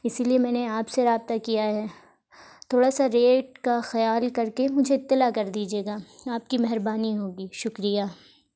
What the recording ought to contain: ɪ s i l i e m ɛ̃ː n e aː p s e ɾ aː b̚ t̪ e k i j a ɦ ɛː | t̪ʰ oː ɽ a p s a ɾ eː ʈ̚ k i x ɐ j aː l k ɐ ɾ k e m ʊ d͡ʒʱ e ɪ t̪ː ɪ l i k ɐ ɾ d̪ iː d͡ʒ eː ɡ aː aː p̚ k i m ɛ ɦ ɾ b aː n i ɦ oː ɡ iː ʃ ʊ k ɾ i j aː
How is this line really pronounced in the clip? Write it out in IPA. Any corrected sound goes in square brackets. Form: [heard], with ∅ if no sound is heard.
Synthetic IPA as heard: ɪ s i l i e m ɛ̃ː n e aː p s e ɾ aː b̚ t̪ [a] k i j a ɦ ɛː | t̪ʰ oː ɽ a [∅] s a ɾ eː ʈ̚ k [a] x ɐ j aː l k ɐ ɾ k e m ʊ d͡ʒʱ e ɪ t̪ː ɪ l [a] k ɐ ɾ d̪ iː d͡ʒ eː ɡ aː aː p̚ k i m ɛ ɦ ɾ b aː n i ɦ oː ɡ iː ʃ ʊ k ɾ i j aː